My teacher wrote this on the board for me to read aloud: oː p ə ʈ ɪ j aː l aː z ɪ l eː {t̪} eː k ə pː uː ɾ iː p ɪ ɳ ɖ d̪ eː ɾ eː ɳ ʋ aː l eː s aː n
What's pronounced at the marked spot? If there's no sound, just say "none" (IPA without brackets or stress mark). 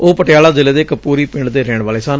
d̪